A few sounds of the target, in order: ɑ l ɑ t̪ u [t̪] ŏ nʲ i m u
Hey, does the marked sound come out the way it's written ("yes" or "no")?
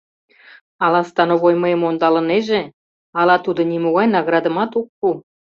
no